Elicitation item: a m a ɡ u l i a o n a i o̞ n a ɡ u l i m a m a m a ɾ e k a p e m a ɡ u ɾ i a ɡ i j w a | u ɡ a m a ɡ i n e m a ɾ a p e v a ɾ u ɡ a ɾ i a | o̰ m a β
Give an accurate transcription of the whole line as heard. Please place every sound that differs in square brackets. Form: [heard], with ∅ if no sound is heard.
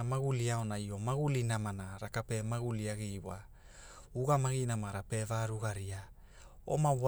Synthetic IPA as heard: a m a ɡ u l i a o n a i o̞ [m] a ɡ u l i [n] a m a [n] a ɾ [a] k a p e m a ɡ u [l] i a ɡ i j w a | u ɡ a m a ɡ i n [a] m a ɾ a p e v a ɾ u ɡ a ɾ i a | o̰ m a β